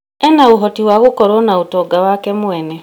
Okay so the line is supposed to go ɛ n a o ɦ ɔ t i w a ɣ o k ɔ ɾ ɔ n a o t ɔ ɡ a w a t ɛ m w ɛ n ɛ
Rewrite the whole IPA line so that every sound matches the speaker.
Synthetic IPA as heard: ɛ n a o ɦ ɔ t i w a ɣ o k ɔ ɾ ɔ n a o t ɔ ɡ a w a k ɛ m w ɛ n ɛ

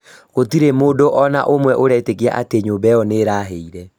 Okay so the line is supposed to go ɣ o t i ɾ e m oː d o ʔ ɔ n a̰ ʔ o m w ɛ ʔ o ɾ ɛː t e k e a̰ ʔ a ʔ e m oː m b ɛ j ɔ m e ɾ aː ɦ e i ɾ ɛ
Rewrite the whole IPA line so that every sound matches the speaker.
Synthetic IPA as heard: ɣ o t i ɾ e m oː d o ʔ ɔ n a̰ ʔ o m w ɛ ʔ o ɾ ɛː t e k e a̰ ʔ a t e ɲ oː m b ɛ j ɔ n e ɾ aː ɦ e i ɾ ɛ

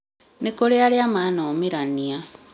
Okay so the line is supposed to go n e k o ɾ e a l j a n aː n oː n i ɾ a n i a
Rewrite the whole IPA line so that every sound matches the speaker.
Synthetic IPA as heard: n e k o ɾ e a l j a m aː n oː m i ɾ a n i a

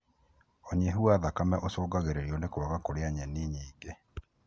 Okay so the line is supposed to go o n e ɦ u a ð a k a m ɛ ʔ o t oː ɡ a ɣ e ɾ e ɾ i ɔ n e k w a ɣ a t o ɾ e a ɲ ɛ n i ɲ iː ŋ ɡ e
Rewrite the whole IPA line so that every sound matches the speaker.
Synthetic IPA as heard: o ɲ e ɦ u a ð a k a m ɛ ʔ o s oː ɡ a ɣ e ɾ e ɾ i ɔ n e k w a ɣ a k o ɾ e a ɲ ɛ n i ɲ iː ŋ ɡ e

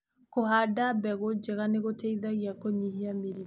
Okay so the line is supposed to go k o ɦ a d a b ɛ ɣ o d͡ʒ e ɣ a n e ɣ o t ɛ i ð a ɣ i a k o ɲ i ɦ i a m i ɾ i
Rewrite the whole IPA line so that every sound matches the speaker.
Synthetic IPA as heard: k o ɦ a d a b ɛ ɣ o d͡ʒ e ɣ a n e ɣ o t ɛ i ð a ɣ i a k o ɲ i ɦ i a m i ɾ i

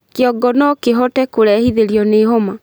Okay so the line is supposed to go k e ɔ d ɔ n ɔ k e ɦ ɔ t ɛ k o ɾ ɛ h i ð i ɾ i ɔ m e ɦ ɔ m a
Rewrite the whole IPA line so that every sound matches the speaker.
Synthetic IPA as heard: k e ɔ ɡ ɔ n ɔ k e ɦ ɔ t ɛ k o ɾ ɛ h i ð e ɾ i ɔ n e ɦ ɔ m a

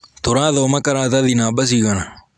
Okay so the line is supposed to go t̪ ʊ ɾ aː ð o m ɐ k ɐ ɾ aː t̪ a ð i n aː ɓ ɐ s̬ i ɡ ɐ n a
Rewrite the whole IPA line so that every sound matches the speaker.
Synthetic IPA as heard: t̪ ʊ ɾ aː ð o m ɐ k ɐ ɾ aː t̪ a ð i n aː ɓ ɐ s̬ i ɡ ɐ n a

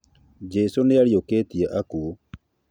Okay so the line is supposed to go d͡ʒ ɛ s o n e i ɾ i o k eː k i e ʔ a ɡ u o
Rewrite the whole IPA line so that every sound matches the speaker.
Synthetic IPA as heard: d͡ʒ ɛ s o n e a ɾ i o k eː t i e ʔ a k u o

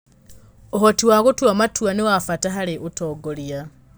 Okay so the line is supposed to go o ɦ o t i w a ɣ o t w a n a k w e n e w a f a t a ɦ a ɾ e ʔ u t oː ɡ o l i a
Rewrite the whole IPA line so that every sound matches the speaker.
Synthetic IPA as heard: o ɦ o t i w a ɣ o t w a m a t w a n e w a f a t a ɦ a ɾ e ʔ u t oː ɡ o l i a

